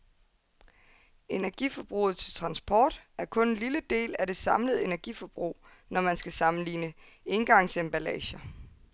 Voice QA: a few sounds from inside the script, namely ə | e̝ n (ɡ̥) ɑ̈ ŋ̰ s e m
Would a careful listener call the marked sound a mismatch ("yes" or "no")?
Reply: no